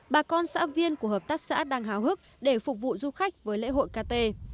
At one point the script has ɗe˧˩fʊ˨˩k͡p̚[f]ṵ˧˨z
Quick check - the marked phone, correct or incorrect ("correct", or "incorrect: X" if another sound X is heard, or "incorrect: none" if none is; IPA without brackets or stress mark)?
incorrect: v